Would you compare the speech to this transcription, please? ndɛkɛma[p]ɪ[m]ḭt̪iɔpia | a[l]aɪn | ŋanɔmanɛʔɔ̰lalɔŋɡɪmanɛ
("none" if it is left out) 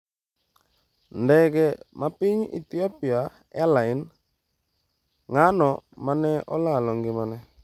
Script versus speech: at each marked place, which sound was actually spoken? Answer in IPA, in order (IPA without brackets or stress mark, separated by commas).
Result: p, ɲ, l